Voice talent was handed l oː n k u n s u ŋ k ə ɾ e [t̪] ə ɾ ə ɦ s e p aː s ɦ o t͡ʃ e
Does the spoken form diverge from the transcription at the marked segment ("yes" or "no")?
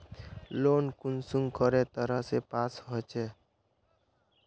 no